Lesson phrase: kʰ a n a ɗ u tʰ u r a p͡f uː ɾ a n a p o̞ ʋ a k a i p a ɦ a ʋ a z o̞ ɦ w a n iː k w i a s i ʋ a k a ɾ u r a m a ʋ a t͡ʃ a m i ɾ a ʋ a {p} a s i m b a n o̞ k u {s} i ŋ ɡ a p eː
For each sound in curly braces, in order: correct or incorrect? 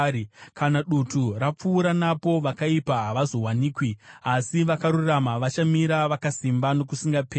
incorrect: k, correct

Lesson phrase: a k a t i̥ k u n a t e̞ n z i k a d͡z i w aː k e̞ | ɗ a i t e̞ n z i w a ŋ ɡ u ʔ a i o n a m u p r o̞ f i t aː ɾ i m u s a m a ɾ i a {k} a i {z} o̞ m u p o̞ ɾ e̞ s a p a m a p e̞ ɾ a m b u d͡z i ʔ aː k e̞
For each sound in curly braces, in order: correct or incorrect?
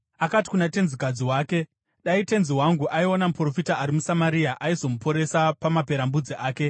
incorrect: ʔ, correct

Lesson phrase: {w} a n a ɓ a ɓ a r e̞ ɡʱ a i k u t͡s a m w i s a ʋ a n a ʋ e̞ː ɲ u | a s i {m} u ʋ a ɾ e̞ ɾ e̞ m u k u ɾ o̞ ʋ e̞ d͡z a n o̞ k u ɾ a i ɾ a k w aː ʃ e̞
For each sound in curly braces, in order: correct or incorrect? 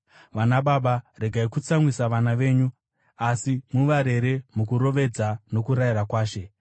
incorrect: ʋ, correct

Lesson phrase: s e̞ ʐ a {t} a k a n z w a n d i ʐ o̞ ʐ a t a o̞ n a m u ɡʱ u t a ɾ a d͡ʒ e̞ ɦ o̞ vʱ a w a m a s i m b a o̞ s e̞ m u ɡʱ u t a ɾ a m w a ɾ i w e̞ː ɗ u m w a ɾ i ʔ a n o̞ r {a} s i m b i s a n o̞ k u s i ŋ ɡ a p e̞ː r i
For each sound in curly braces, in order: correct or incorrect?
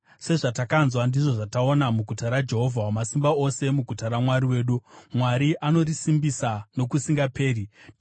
correct, incorrect: i

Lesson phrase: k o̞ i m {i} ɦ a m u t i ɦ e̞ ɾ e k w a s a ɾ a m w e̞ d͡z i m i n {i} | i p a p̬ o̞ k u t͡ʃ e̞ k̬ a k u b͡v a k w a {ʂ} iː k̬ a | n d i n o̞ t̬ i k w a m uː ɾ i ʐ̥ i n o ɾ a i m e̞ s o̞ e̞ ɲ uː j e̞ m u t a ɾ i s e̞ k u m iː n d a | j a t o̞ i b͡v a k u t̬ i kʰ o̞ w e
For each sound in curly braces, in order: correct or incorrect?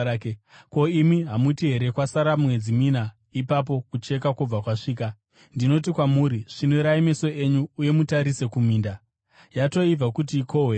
correct, incorrect: a, correct

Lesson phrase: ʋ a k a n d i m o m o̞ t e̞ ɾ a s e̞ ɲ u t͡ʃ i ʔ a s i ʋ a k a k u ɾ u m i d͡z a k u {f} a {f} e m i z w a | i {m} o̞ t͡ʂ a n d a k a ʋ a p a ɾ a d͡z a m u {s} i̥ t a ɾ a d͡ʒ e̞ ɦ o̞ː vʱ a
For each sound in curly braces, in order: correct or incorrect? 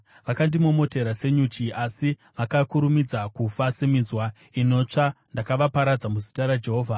correct, incorrect: s, incorrect: n, incorrect: z

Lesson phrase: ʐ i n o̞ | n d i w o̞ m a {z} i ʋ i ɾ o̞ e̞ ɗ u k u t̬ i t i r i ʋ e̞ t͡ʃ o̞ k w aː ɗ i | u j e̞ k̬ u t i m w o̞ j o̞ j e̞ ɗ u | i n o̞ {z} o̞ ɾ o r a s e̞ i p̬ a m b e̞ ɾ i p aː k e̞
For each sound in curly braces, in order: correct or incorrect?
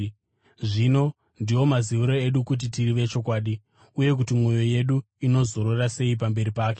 correct, correct

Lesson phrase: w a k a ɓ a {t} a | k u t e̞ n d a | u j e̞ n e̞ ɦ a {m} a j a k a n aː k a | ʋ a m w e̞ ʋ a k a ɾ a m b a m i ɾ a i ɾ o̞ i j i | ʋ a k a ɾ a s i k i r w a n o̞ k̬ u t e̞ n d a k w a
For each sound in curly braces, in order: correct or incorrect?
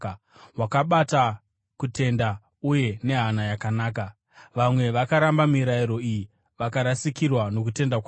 correct, incorrect: n

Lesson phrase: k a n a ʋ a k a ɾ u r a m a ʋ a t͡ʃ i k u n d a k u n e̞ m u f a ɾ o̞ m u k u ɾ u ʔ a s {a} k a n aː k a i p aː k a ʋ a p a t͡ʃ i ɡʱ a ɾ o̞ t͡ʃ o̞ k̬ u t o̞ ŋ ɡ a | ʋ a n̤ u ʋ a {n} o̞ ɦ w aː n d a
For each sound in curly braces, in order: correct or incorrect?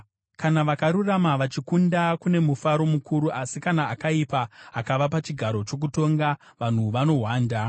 incorrect: i, correct

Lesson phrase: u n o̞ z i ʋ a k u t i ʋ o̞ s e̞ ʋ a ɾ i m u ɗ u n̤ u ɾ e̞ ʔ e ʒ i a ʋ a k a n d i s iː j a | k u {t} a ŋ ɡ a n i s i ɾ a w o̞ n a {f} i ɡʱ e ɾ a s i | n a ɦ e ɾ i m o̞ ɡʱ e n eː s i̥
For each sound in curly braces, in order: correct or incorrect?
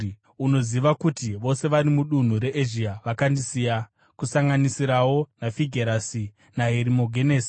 incorrect: s, correct

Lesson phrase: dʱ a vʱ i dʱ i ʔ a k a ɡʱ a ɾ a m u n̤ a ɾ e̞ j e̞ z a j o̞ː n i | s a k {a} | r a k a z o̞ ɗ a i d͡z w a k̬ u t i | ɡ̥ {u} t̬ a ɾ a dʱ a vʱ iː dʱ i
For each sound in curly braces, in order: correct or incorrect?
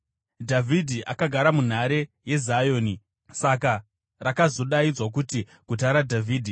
correct, correct

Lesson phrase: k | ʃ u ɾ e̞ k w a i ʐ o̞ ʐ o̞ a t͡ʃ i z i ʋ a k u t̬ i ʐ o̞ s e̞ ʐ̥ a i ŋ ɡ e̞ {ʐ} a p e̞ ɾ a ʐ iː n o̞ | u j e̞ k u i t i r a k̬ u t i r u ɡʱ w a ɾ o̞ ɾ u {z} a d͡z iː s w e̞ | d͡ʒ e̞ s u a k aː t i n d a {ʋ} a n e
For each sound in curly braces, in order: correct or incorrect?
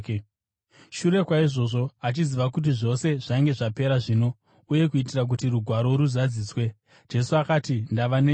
correct, correct, correct

